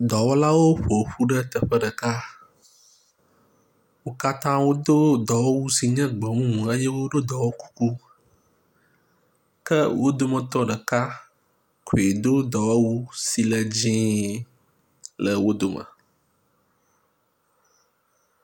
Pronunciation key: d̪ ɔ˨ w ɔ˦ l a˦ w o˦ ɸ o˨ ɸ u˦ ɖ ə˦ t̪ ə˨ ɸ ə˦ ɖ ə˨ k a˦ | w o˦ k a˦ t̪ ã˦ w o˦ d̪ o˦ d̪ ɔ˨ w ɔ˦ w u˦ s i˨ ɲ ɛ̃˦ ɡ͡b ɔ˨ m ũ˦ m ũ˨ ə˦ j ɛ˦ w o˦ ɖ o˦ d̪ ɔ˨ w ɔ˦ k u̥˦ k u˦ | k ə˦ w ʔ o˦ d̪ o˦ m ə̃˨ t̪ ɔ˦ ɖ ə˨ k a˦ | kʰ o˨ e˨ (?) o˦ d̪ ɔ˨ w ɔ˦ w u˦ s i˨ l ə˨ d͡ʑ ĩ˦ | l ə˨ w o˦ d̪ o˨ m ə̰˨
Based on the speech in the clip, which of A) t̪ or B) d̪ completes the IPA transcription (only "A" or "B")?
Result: B